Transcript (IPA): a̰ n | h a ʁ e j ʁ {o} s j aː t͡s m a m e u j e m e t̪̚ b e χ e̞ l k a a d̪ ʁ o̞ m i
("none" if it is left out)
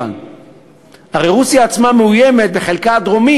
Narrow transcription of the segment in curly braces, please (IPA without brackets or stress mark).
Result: u